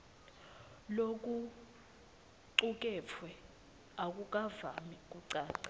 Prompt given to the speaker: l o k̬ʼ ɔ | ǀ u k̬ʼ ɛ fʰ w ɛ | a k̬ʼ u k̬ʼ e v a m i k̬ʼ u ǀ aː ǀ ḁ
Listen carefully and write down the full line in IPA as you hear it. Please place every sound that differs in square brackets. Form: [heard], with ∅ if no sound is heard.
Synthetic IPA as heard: l o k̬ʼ [u] | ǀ u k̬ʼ ɛ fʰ w ɛ | a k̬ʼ u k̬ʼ [a] v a m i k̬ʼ u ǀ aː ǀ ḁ